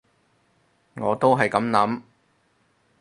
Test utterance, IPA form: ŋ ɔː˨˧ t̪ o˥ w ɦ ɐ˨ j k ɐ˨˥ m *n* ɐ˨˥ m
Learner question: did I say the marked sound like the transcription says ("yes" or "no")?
yes